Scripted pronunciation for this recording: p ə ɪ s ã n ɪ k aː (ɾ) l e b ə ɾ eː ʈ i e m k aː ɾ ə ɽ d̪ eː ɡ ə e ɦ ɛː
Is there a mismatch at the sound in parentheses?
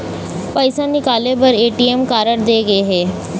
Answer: yes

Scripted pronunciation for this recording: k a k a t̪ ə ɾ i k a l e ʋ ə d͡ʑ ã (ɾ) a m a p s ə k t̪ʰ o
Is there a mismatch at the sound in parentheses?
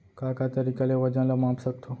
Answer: yes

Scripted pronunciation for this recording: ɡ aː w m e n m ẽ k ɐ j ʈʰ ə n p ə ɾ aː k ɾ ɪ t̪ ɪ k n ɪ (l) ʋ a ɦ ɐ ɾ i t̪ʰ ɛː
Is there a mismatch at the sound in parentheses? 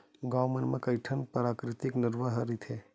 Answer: yes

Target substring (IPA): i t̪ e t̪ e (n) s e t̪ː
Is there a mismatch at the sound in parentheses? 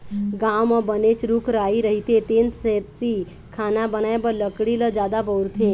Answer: no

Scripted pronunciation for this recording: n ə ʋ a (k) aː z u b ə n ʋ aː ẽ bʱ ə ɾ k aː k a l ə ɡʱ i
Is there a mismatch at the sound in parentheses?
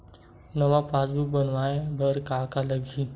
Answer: yes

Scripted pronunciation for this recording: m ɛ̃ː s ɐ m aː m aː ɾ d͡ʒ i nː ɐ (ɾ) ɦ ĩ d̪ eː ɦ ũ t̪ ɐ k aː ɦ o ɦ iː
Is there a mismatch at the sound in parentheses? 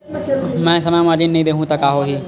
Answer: yes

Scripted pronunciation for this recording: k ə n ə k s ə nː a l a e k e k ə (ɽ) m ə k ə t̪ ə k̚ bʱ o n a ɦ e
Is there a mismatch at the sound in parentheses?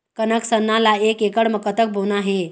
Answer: no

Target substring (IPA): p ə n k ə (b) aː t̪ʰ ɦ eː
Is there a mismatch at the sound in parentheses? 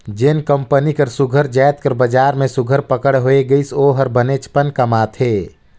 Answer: yes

